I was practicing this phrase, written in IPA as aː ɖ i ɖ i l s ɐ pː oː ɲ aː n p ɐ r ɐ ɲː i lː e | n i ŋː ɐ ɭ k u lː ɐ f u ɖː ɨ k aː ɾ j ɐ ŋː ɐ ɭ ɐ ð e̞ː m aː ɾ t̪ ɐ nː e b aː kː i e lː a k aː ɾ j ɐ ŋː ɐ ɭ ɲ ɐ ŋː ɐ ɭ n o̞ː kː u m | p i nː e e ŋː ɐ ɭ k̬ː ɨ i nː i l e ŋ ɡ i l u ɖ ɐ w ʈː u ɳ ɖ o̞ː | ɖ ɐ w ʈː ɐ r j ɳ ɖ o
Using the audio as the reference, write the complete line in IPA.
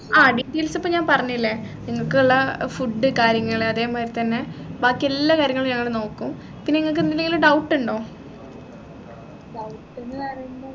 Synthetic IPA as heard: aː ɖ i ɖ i l s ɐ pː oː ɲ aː n p ɐ r ɐ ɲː i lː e | n i ŋː ɐ ɭ k u ɭː ɐ f u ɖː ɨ k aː ɾ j ɐ ŋː ɐ ɭ ɐ ð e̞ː m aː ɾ t̪ ɐ nː e b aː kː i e lː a k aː ɾ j ɐ ŋː ɐ ɭ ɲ ɐ ŋː ɐ ɭ n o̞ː kː u m | p i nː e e ŋː ɐ ɭ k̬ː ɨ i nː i l e ŋ ɡ i l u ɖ ɐ w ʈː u ɳ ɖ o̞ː | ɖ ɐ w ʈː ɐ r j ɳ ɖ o